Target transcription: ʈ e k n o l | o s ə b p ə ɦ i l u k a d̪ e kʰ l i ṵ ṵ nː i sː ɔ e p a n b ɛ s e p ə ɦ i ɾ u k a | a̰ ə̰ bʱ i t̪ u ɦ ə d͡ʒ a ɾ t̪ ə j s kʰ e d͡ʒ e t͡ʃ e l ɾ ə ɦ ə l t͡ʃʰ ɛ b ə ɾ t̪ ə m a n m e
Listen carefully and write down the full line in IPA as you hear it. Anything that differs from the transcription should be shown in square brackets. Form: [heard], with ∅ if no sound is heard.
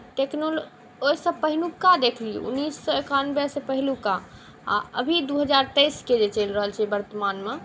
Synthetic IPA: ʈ e k n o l | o s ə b p ə ɦ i l u k a d̪ e kʰ l i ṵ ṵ nː i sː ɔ e [k] a n b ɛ s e p ə ɦ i [l] u k a | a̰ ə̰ bʱ i [d̪] u ɦ ə d͡ʒ a ɾ t̪ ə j s [k] e d͡ʒ e t͡ʃ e l ɾ ə ɦ ə l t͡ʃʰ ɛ b ə ɾ t̪ ə m a n m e